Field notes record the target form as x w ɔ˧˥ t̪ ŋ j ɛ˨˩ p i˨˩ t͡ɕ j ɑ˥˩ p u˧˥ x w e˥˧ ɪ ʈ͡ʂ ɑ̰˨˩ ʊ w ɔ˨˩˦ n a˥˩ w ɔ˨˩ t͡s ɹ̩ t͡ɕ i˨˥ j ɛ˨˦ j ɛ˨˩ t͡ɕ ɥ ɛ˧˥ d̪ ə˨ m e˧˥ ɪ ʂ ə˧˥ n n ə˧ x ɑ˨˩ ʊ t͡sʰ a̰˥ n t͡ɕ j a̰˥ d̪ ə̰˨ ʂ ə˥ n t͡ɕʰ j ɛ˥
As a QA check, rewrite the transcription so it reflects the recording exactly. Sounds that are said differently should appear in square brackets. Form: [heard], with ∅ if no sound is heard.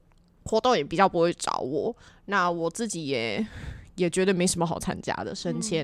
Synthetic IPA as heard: x w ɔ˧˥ t̪ ŋ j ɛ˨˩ p i˨˩ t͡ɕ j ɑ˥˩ p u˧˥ x w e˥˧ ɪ ʈ͡ʂ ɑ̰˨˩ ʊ w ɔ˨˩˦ n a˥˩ w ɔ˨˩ t͡s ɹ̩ t͡ɕ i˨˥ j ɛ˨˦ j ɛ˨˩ t͡ɕ ɥ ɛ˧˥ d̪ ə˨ m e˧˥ ɪ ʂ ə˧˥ n [m] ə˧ x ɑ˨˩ ʊ t͡sʰ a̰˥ n t͡ɕ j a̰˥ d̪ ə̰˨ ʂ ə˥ n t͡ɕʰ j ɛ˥